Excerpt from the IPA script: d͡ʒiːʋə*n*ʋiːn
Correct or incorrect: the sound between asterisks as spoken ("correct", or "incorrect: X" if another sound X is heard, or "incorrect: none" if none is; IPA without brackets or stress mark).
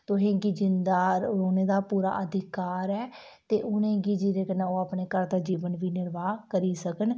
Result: correct